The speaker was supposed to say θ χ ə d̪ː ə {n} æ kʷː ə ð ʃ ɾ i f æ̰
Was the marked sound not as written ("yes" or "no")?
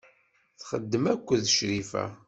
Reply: yes